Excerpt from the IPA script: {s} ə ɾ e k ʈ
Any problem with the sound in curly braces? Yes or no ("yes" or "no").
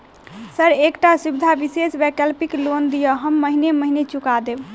no